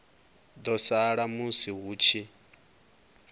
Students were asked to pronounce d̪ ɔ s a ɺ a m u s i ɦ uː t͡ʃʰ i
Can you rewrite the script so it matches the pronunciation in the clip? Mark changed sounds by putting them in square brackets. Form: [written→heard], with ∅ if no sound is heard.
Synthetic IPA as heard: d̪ ɔ s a ɺ a m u s i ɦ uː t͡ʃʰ i